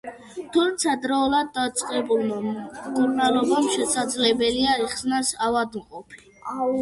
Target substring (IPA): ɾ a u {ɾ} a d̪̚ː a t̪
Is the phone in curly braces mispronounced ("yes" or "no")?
yes